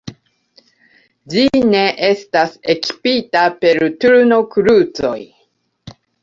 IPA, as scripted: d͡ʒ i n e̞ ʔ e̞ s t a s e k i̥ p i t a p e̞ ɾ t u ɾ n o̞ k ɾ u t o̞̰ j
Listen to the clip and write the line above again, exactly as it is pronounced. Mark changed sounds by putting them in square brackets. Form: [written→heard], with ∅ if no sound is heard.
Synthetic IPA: d͡ʒ i n e̞ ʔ e̞ s t a s e k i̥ p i t a p e̞ ɾ t u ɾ n o̞ k ɾ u [t→t͡s] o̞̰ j